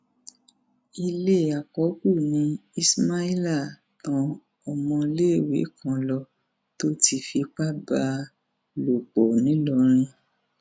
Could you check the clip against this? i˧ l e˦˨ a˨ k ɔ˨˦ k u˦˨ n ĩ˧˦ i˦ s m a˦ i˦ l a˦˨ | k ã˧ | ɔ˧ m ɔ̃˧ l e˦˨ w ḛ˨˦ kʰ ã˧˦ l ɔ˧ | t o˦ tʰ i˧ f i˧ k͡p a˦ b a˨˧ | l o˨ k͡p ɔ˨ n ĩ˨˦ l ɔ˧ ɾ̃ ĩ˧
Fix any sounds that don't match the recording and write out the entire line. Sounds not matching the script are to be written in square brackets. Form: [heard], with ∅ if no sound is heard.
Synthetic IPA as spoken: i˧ l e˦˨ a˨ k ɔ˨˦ k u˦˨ n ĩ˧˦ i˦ s m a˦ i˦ l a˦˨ | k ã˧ | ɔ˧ m ɔ̃˧ l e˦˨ w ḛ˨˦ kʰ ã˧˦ l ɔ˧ | t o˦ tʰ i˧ f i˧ k͡p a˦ b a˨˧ | l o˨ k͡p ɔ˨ n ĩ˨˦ l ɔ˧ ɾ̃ ĩ˧